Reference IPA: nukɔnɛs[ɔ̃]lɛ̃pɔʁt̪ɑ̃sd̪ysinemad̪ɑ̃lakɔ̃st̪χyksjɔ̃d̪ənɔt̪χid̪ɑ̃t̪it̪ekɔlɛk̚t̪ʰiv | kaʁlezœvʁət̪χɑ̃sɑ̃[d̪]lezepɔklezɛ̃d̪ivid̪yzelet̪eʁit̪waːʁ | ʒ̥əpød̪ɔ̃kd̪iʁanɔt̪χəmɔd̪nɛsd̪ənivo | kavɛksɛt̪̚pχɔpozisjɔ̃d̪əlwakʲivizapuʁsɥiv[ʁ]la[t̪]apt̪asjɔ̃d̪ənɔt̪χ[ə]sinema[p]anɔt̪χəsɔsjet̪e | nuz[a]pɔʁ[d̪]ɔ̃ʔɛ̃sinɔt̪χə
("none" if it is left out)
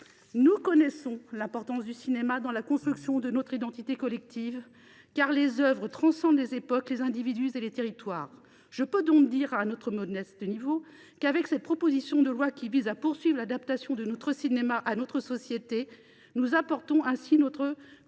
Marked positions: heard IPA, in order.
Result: ɔ̃, d̪, ʁ, d̪, ə, ʔ, a, t̪

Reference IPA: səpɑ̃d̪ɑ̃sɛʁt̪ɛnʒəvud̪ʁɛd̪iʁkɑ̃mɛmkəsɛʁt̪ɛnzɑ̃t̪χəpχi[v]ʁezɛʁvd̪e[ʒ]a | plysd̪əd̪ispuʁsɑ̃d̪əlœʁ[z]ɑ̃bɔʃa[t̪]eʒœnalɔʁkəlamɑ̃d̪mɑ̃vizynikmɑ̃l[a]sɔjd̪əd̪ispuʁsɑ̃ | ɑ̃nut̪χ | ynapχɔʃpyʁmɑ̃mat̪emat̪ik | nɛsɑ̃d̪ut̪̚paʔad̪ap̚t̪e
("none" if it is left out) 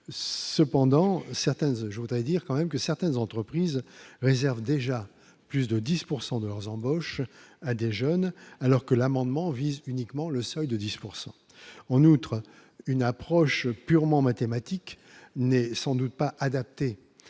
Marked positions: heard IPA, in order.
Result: z, ʒ, z, d̪, ə

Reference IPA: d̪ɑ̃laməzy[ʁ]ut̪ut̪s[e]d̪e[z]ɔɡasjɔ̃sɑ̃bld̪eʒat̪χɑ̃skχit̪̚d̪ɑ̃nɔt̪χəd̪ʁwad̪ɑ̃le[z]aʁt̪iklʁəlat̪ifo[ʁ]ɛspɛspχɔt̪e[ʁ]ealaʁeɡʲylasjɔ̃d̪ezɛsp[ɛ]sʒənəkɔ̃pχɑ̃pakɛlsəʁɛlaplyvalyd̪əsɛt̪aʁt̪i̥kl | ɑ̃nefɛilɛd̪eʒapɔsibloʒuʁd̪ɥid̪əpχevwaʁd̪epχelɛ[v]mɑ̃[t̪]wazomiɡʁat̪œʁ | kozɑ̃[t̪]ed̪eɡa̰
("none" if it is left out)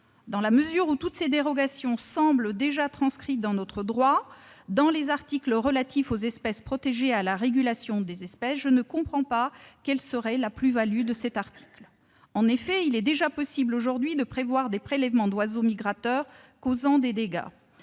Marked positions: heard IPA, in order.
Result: ʁ, e, ʁ, z, z, ʒ, ɛ, v, d̪, d̪

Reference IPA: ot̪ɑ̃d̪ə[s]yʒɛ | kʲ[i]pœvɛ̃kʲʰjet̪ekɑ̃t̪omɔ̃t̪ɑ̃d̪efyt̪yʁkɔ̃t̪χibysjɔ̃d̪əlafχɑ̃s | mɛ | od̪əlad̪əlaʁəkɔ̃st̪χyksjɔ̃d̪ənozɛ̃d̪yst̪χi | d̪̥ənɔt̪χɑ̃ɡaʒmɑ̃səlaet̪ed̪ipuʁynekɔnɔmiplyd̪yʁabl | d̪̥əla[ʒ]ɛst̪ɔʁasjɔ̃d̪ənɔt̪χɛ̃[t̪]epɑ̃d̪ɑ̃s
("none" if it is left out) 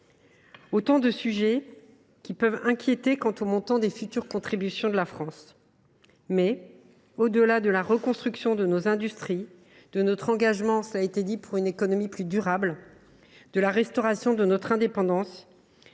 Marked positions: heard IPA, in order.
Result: s, i, ʁ, d̪

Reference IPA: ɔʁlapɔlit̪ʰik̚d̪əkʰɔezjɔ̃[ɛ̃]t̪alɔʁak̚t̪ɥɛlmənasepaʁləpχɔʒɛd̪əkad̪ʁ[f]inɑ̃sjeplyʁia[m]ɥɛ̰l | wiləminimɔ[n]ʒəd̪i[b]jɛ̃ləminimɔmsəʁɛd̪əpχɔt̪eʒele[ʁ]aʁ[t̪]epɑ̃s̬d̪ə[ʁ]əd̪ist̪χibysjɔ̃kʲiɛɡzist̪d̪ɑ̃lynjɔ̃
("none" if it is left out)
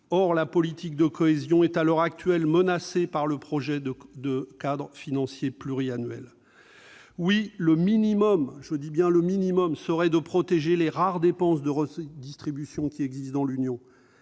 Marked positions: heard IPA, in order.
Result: ɛ, f, n, m, b, ʁ, d̪, ʁ

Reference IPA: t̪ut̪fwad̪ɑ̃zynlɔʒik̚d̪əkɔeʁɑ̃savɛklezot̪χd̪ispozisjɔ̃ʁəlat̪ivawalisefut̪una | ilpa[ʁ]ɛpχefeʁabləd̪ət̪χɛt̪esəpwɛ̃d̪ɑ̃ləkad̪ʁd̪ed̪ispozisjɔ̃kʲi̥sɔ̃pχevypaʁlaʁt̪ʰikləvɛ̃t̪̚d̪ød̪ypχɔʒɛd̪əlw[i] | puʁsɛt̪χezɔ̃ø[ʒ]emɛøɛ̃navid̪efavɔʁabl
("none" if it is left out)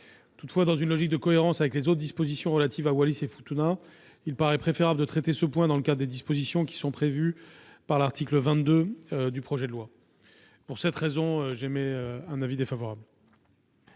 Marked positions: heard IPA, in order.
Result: ʁ, a, ʒ

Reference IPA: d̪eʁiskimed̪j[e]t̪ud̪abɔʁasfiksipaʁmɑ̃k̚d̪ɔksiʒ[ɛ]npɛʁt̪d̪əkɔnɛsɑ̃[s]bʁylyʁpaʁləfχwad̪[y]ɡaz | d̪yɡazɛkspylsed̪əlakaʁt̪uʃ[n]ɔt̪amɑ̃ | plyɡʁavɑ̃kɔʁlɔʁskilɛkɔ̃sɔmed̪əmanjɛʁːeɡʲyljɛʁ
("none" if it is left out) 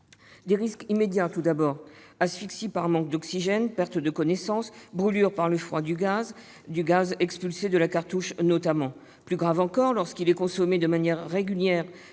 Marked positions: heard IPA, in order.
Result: a, ɛ, s, y, n

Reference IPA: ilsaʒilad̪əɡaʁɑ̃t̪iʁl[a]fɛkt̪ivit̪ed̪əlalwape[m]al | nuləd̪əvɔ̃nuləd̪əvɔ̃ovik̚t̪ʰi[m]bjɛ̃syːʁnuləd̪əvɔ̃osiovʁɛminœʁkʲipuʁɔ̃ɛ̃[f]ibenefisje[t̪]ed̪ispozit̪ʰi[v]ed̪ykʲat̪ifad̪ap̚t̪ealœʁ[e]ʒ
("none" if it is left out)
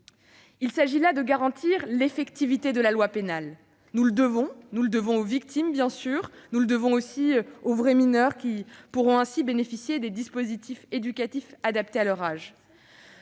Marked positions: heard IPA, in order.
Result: e, n, m, s, d̪, f, a

